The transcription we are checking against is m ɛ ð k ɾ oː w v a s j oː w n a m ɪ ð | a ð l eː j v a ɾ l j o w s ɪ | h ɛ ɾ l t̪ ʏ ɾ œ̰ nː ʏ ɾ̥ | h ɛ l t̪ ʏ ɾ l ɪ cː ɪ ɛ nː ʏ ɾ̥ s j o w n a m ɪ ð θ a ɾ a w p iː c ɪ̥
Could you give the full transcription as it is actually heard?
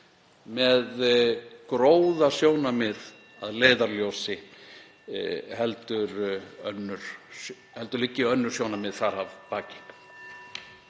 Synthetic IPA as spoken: m ɛ ð k ɾ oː w ð a s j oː w n a m ɪ ð | a ð l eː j ð a ɾ l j o w s ɪ | h ɛ l t̪ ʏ ɾ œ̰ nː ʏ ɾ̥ | h ɛ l t̪ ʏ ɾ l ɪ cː ɪ œ nː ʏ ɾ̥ s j o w n a m ɪ ð θ a ɾ a v p aː c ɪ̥